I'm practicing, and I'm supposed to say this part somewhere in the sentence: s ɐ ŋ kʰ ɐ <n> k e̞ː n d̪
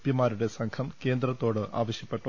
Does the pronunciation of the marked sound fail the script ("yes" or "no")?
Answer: yes